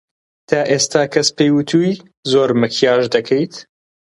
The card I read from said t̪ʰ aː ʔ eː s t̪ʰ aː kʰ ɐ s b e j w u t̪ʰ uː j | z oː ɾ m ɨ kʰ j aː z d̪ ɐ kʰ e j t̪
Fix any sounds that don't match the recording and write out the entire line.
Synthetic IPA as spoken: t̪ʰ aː ʔ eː s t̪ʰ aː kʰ ɐ s p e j w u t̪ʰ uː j | z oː ɾ m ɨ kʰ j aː ʒ d̪ ɐ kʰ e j t̪